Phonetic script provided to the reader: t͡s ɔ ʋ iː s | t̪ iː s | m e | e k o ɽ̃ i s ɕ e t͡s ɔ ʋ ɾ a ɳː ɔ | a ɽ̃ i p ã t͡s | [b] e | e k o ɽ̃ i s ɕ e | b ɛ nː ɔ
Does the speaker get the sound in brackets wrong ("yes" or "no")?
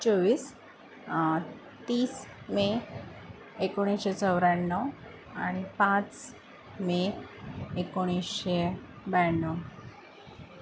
yes